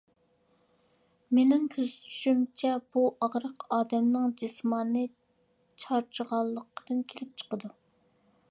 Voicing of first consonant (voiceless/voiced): voiced